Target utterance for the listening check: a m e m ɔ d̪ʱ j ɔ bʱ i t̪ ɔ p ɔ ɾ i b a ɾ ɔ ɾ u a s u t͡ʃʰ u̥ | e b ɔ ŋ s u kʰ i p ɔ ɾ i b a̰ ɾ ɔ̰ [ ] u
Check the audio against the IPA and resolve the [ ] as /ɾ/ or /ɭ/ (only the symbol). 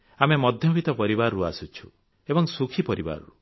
ɾ